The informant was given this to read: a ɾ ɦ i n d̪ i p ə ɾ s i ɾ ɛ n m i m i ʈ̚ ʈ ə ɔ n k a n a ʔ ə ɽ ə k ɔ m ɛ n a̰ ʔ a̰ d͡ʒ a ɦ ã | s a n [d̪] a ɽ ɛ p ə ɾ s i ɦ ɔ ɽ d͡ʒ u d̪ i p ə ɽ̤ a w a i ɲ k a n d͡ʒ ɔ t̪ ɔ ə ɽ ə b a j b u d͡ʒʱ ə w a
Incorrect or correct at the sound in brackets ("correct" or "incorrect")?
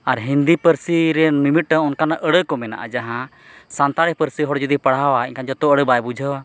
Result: incorrect